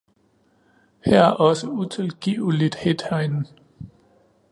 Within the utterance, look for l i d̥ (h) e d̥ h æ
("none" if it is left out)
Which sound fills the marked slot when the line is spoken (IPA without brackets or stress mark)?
h